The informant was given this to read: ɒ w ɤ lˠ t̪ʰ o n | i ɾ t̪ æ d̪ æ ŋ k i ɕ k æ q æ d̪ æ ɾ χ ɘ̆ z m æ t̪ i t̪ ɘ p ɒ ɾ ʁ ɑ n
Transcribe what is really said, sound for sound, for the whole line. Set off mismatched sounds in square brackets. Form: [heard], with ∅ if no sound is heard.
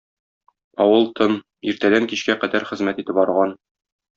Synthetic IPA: ɒ w ɤ lˠ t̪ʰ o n | i ɾ t̪ æ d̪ æ ŋ k i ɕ k æ q æ d̪ æ ɾ χ ɘ̆ z m æ t̪ i t̪ ɘ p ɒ ɾ ʁ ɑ n